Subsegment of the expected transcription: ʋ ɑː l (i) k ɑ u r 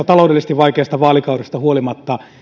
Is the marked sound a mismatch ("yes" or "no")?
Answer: no